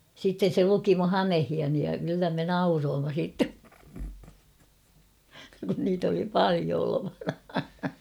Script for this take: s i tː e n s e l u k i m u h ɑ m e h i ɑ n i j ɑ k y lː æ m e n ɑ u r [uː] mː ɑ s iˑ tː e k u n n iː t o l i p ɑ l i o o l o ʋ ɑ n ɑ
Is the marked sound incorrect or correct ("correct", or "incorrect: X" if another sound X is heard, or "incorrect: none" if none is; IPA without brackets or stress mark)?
incorrect: oː